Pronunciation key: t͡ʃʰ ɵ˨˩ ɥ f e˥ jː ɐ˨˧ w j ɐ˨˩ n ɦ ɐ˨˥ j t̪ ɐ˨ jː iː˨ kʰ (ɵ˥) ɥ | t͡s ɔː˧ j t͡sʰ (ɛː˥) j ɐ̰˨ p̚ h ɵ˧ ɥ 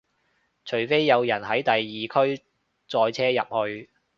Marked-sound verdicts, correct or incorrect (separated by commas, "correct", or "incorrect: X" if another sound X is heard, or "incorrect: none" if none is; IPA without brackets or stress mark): correct, correct